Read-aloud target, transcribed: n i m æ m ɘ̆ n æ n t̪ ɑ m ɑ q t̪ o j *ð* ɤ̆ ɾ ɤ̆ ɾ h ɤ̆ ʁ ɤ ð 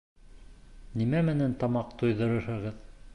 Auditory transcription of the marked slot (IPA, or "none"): ð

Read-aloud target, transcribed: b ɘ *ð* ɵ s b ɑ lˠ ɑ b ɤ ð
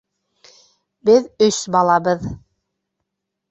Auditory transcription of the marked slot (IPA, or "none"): ð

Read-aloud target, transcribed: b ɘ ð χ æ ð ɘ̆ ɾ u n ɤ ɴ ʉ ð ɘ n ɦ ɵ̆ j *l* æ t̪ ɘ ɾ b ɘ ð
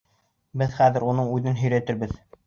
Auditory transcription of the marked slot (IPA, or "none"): ɾ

